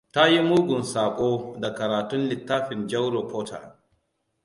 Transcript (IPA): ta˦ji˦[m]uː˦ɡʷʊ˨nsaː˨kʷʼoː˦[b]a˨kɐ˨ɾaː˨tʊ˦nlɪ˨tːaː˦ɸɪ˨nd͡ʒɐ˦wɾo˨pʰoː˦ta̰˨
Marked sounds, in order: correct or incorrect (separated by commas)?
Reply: correct, incorrect